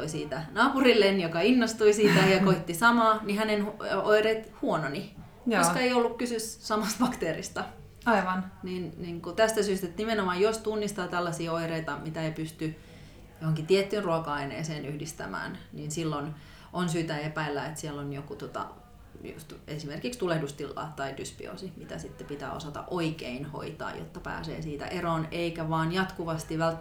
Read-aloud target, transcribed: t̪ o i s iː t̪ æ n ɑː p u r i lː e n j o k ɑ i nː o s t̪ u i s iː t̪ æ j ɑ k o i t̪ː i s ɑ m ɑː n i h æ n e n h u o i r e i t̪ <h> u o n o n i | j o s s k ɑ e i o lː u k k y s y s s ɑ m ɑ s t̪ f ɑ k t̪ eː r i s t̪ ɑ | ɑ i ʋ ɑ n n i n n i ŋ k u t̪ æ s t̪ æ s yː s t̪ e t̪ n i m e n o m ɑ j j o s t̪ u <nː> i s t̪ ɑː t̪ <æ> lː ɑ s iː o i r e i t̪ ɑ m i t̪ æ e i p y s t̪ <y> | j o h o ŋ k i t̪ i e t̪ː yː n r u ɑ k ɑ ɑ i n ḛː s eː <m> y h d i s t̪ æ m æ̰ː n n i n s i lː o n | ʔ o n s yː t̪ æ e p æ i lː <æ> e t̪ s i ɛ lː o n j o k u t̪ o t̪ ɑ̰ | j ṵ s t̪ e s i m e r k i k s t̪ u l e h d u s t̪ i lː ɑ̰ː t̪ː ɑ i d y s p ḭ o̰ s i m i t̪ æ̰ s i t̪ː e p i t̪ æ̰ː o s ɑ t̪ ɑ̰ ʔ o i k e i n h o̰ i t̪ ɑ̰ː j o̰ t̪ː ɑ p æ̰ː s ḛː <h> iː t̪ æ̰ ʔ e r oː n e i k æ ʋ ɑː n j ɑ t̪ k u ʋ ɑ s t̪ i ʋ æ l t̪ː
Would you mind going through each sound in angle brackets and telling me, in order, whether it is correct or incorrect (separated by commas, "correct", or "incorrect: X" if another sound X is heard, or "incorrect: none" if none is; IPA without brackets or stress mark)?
correct, correct, correct, correct, incorrect: n, correct, incorrect: s